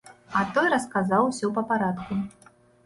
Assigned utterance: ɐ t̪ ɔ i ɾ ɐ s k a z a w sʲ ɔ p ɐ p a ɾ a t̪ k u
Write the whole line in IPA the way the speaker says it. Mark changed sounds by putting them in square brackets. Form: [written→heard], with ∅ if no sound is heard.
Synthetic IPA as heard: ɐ t̪ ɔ [i→j] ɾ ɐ s k a z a w sʲ ɔ p ɐ p a ɾ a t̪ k u